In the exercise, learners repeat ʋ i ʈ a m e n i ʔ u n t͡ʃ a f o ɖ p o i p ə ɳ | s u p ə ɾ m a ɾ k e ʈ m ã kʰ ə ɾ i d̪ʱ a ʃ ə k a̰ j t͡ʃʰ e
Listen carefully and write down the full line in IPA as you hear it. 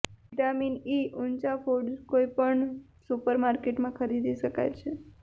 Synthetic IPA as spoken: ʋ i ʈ a m i n i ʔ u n t͡ʃ a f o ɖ k o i p ə ɳ | s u p ə ɾ m a ɾ k e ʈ m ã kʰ ə ɾ i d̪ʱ i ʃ ə k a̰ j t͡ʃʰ e